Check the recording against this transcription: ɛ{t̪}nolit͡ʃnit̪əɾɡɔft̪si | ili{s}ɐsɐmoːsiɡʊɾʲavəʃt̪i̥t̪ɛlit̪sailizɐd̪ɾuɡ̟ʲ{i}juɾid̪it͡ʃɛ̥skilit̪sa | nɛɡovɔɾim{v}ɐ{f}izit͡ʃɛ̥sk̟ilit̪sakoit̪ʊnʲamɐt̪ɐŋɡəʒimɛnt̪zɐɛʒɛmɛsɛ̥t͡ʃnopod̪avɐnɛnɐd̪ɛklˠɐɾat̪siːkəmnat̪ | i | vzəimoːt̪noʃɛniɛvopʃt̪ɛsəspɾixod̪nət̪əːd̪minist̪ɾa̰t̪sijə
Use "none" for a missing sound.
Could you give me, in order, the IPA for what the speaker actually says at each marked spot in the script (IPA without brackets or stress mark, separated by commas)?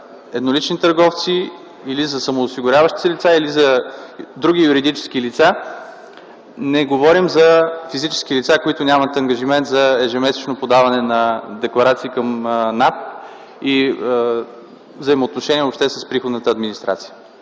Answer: d̪, z, i, z, f